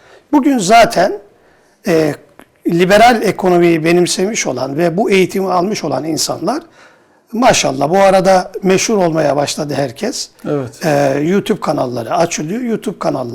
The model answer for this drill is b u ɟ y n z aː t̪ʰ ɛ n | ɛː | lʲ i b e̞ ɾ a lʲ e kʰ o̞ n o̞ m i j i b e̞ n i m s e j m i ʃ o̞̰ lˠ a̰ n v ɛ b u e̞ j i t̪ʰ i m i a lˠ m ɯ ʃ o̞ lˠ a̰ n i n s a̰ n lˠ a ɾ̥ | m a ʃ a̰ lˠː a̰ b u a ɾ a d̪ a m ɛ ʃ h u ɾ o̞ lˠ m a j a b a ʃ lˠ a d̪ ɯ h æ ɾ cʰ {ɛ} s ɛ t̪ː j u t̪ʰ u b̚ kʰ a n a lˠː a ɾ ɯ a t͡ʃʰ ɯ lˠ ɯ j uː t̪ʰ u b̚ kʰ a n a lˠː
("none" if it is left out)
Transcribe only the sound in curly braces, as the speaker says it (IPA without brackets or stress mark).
ɛ